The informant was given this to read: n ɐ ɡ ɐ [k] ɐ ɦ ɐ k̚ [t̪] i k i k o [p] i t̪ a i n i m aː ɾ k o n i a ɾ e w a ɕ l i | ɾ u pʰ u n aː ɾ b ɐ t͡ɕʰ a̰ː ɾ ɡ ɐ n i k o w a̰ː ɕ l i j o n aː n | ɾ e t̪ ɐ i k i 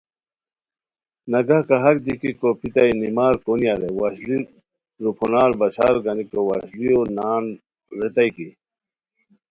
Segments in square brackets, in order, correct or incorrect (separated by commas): correct, incorrect, correct